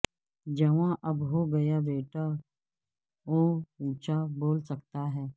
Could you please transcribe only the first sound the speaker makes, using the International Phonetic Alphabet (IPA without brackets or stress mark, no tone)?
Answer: d͡ʒ